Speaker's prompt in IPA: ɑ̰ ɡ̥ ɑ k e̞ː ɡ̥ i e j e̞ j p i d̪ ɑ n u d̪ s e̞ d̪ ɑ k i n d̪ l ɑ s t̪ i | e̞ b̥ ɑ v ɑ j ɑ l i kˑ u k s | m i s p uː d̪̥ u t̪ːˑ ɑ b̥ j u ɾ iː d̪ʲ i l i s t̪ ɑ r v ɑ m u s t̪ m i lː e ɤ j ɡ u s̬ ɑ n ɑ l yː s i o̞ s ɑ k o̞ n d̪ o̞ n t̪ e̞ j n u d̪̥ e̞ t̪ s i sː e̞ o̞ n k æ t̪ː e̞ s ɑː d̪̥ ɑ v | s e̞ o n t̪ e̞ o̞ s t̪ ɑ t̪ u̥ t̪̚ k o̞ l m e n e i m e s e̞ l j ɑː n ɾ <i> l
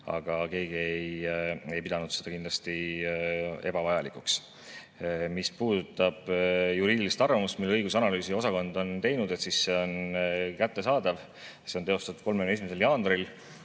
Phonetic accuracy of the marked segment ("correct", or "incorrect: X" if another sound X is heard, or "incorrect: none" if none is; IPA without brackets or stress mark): correct